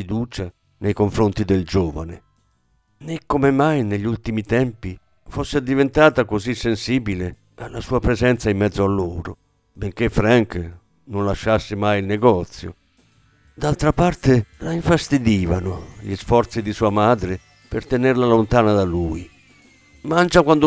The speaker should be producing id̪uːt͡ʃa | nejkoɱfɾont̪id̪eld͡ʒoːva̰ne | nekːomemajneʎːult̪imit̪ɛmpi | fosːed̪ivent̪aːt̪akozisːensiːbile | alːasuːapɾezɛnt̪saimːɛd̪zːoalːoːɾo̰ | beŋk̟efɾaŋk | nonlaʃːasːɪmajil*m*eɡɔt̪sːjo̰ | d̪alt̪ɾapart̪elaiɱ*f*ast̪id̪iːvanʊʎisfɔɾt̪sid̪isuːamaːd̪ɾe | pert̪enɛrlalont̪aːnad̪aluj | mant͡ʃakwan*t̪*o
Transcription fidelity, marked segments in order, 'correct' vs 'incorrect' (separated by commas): incorrect, correct, incorrect